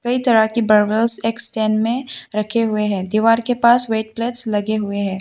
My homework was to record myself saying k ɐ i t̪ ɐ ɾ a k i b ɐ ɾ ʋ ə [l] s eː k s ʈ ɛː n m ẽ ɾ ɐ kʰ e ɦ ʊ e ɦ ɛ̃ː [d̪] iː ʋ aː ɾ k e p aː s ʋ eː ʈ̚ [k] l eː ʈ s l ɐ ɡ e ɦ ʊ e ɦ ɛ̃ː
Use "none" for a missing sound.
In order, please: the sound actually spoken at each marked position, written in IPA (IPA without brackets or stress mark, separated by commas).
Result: l, d̪, p